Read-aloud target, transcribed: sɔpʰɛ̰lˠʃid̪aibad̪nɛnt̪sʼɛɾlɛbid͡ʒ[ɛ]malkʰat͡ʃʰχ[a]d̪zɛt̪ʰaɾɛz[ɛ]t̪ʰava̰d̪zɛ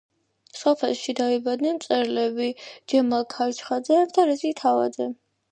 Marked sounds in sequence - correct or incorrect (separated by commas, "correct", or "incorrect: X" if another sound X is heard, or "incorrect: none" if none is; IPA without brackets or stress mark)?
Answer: correct, correct, incorrect: i